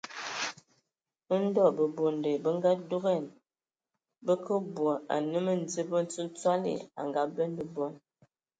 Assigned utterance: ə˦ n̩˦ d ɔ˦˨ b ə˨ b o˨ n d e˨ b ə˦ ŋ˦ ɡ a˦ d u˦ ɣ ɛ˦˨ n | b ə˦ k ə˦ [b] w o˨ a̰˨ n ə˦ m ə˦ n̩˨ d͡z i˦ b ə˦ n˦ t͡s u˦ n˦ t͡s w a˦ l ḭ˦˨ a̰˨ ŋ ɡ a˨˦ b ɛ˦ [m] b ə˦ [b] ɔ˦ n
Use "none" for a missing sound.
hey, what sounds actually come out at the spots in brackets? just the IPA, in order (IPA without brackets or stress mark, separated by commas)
b, n, b